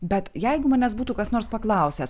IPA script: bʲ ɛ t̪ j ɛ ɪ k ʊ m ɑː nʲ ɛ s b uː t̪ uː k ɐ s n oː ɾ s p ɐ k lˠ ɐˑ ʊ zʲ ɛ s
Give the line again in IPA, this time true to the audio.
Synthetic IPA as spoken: bʲ ɛ t̪ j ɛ ɪ ɡ ʊ m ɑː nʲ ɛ s b uː t̪ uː k ɐ s n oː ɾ s p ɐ k lˠ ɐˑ ʊ sʲ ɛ s